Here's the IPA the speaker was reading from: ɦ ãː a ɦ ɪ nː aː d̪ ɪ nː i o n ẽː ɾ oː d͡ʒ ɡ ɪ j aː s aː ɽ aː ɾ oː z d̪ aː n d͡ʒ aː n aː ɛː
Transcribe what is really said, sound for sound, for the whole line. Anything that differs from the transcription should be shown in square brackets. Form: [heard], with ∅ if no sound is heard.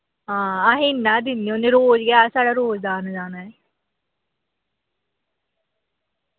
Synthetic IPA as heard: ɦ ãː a ɦ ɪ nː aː d̪ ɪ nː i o n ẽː ɾ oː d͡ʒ ɡ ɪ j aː s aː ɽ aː ɾ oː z d̪ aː n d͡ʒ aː n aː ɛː